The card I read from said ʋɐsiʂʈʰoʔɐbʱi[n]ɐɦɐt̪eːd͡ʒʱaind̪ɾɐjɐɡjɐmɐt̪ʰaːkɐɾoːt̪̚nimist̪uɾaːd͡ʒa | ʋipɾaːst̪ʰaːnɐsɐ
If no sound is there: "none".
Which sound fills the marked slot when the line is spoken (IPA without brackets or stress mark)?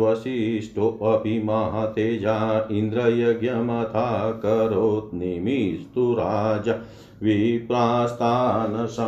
m